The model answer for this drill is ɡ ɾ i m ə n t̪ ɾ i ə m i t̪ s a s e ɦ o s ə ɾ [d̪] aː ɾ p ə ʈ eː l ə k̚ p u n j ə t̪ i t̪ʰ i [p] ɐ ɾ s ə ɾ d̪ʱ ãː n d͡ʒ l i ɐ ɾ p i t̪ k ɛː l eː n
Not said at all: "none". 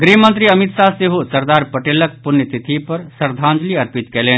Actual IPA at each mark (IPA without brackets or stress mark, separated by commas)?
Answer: d̪, p